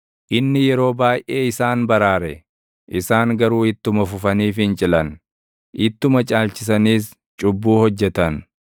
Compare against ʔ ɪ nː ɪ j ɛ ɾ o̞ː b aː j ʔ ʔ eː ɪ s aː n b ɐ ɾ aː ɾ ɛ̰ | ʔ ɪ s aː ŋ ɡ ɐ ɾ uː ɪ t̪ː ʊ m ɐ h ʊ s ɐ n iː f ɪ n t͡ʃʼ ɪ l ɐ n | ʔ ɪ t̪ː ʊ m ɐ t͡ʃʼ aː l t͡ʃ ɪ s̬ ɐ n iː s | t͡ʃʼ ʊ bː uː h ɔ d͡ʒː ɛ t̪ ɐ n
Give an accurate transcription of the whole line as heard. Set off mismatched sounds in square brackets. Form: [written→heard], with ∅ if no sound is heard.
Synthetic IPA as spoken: ʔ ɪ nː ɪ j ɛ ɾ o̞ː b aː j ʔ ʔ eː ɪ s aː n b ɐ ɾ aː ɾ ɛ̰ | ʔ ɪ s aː ŋ ɡ ɐ ɾ uː ɪ t̪ː ʊ m ɐ [h→f] ʊ [s→f] ɐ n iː f ɪ n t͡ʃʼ ɪ l ɐ n | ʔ ɪ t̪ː ʊ m ɐ t͡ʃʼ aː l t͡ʃ ɪ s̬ ɐ n iː s | t͡ʃʼ ʊ bː uː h ɔ d͡ʒː ɛ t̪ ɐ n

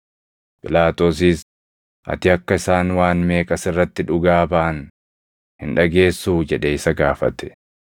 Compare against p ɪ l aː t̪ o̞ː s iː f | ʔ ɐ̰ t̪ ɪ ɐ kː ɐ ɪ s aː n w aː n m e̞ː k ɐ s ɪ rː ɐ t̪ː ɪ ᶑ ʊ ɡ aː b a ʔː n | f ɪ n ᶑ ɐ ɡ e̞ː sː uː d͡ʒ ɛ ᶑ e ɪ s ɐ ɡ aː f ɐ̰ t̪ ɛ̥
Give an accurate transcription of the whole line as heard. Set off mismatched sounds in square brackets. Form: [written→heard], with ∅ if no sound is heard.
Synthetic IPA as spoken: p ɪ l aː t̪ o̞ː s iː [f→s] | ʔ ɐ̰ t̪ ɪ ɐ kː ɐ ɪ s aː n w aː n m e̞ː [k→kʼ] ɐ s ɪ rː ɐ t̪ː ɪ ᶑ ʊ ɡ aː b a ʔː n | [f→h] ɪ n ᶑ ɐ ɡ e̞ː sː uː d͡ʒ ɛ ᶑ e ɪ s ɐ ɡ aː f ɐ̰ t̪ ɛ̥

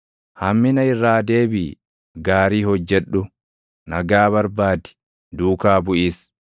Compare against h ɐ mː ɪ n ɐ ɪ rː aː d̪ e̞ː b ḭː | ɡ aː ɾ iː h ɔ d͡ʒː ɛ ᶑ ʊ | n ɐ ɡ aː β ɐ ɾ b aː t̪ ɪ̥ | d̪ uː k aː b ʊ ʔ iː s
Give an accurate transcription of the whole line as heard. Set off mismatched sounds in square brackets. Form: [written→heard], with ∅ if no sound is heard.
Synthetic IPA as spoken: h ɐ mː ɪ n ɐ ɪ rː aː d̪ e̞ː b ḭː | ɡ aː ɾ iː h ɔ d͡ʒː ɛ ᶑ ʊ | n ɐ ɡ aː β ɐ ɾ b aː [t̪→d̪] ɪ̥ | d̪ uː k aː b ʊ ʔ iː s

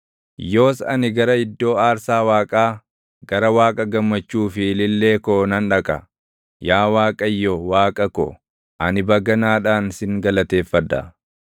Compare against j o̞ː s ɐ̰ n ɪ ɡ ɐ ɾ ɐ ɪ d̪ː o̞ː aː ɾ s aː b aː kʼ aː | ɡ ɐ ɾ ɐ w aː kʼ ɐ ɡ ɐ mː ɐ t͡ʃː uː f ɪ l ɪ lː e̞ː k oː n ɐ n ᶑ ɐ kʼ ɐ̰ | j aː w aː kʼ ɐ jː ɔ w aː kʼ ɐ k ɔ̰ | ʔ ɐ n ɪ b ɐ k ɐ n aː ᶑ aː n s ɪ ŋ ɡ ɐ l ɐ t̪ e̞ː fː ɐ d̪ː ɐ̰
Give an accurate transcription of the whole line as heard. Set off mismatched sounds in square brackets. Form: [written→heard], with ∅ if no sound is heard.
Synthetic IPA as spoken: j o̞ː s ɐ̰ n ɪ ɡ ɐ ɾ ɐ ɪ d̪ː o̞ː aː ɾ s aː [b→w] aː kʼ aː | ɡ ɐ ɾ ɐ w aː kʼ ɐ ɡ ɐ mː ɐ t͡ʃː uː f ɪ l ɪ lː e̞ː k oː n ɐ n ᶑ ɐ kʼ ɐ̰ | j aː w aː kʼ ɐ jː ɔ w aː kʼ ɐ k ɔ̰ | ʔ ɐ n ɪ b ɐ [k→ɡ] ɐ n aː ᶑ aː n s ɪ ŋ ɡ ɐ l ɐ t̪ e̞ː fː ɐ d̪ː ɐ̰

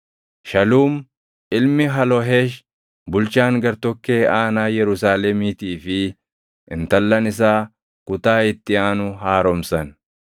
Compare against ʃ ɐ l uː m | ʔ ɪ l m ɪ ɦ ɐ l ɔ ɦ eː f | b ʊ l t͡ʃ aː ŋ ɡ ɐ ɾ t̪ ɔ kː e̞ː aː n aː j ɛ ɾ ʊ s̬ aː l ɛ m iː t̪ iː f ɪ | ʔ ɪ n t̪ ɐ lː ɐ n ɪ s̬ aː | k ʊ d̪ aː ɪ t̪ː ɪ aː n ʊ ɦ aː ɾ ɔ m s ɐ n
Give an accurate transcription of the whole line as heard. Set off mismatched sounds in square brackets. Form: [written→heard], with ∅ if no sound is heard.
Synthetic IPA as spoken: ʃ ɐ l uː m | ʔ ɪ l m ɪ ɦ ɐ l ɔ ɦ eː [f→ʃ] | b ʊ l t͡ʃ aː ŋ ɡ ɐ ɾ t̪ ɔ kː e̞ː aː n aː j ɛ ɾ ʊ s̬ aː l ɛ m iː t̪ iː f ɪ | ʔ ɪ n t̪ ɐ lː ɐ n ɪ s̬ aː | k ʊ [d̪→t̪] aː ɪ t̪ː ɪ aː n ʊ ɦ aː ɾ ɔ m s ɐ n

